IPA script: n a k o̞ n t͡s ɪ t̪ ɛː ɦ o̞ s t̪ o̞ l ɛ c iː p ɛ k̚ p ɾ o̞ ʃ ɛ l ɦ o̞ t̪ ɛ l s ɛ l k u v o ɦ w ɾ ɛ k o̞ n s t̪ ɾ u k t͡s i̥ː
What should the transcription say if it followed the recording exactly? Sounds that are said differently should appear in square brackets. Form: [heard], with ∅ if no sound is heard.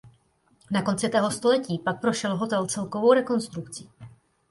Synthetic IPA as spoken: n a k o̞ n t͡s ɪ t̪ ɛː ɦ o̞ s t̪ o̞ l ɛ c iː p [a] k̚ p ɾ o̞ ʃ ɛ l ɦ o̞ t̪ ɛ l [t͡s] ɛ l k [o] v o [∅] w ɾ ɛ k o̞ n s t̪ ɾ u k t͡s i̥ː